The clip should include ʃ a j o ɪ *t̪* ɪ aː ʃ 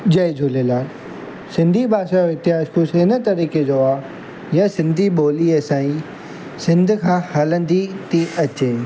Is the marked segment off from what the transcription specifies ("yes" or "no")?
no